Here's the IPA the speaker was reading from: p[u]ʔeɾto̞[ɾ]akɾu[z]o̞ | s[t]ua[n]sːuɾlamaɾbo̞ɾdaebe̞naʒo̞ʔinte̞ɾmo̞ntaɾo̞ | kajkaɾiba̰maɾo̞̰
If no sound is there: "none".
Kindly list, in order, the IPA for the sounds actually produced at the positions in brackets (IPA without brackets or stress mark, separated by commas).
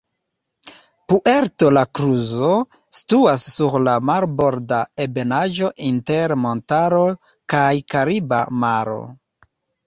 u, l, z, t, none